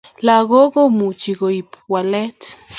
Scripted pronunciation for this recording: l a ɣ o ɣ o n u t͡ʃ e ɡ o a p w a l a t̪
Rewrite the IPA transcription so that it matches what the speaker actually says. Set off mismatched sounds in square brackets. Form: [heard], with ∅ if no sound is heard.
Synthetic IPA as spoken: l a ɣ o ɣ o [m] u t͡ʃ [i] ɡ o [i] p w a l [e] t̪